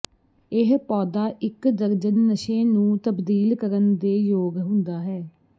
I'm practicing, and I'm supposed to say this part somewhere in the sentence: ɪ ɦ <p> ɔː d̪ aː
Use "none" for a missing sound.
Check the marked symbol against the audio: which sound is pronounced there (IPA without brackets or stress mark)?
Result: p